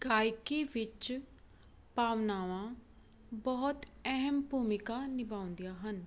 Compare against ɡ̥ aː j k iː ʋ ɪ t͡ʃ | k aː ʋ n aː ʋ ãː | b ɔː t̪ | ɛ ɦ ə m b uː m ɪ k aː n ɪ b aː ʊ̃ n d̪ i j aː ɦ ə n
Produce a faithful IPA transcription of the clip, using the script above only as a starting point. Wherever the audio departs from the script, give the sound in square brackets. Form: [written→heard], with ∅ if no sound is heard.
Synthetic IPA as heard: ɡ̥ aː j k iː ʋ ɪ t͡ʃ | [k→p] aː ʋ n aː ʋ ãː | b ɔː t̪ | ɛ ɦ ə m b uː m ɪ k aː n ɪ b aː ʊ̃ n d̪ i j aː ɦ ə n